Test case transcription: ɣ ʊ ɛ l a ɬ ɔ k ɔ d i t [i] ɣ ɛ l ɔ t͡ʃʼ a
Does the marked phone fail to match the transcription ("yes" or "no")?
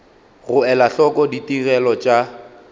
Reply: no